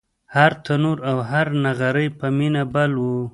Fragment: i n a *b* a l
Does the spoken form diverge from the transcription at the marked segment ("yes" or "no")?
no